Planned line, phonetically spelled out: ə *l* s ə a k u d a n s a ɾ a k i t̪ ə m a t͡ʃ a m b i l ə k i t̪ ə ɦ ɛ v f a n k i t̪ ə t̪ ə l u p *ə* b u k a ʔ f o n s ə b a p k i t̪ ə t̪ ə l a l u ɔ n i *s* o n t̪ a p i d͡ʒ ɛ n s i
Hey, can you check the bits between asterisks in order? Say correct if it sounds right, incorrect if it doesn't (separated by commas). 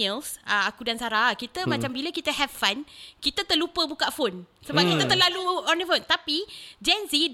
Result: correct, correct, incorrect